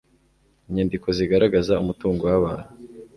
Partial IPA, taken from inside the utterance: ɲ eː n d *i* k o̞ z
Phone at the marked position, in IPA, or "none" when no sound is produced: i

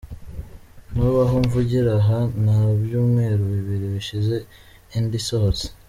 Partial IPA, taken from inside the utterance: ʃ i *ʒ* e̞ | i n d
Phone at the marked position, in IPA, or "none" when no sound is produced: z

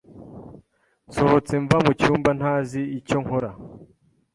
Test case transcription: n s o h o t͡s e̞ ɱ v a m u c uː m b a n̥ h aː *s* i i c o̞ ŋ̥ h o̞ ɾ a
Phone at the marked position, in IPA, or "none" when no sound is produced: z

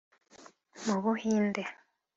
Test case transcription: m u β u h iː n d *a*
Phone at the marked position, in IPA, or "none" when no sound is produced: e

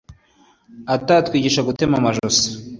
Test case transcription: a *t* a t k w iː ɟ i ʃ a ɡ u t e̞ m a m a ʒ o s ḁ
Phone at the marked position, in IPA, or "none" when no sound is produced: t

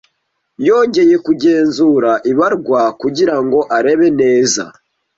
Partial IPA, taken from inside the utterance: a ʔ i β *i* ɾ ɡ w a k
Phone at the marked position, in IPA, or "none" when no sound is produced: a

